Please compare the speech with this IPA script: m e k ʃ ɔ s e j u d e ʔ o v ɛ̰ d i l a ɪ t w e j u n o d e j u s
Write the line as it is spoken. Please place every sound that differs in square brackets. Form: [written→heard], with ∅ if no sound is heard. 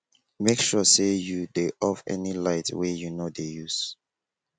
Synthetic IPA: m e k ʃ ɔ s e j u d e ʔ [o→ɔ] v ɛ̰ [d→n] i l a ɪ t w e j u n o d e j u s